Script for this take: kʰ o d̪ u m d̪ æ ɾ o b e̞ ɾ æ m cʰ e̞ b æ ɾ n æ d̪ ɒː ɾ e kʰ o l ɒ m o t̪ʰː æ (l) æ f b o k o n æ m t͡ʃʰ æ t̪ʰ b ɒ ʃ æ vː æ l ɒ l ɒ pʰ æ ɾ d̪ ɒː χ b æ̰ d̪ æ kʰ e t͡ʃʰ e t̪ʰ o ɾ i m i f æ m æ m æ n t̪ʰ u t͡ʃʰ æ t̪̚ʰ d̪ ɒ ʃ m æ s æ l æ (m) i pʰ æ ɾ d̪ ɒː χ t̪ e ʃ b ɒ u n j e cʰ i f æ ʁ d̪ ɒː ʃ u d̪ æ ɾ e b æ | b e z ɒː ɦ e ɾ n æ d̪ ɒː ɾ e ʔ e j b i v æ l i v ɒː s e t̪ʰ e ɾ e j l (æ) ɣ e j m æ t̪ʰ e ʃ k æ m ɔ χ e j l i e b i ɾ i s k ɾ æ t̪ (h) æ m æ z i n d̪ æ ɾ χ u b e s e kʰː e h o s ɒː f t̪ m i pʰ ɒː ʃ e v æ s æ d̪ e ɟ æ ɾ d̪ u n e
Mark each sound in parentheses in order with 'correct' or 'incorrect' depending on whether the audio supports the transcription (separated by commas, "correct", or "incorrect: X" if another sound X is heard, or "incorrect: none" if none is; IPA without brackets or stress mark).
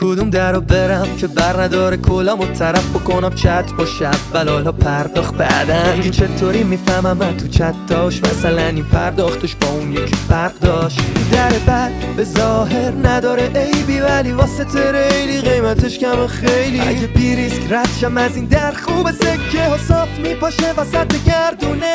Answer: incorrect: ɾ, incorrect: n, incorrect: i, incorrect: ʃ